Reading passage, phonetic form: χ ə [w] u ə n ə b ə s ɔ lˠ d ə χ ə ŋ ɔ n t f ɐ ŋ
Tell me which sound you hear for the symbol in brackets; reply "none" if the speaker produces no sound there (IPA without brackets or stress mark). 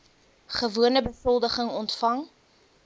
v